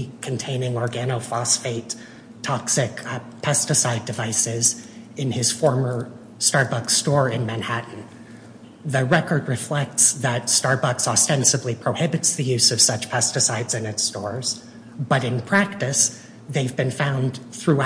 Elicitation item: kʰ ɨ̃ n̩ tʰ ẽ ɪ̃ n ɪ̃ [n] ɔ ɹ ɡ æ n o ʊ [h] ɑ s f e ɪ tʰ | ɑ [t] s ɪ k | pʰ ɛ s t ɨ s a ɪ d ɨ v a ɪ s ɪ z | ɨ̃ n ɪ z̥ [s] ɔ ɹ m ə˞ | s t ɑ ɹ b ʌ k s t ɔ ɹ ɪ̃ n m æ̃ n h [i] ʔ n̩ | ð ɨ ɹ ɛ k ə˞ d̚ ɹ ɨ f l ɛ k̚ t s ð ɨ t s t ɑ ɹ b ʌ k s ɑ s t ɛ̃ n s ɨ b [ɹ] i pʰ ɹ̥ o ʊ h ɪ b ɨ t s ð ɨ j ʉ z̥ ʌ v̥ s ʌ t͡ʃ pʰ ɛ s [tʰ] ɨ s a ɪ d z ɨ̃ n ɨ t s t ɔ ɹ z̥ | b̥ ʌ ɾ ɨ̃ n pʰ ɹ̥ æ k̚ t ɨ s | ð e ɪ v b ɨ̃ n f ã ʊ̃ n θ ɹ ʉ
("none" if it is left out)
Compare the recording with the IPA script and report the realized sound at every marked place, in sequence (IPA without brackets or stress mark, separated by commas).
ŋ, f, k, f, æ, l, t